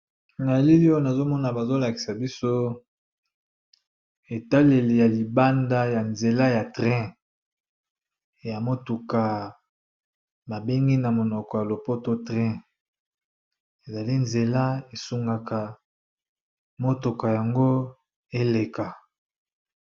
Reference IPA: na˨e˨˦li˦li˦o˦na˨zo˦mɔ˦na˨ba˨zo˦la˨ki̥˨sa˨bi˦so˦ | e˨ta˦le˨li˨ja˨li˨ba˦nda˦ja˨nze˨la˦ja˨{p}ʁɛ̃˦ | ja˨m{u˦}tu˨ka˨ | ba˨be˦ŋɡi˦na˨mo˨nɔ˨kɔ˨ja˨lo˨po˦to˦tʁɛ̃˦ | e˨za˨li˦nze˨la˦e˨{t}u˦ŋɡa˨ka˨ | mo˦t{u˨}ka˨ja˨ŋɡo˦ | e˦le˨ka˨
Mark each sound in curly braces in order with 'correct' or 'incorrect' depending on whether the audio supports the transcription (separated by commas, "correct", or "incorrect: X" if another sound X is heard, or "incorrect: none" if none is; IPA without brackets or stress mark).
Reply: incorrect: t, incorrect: o˦, incorrect: s, incorrect: o˨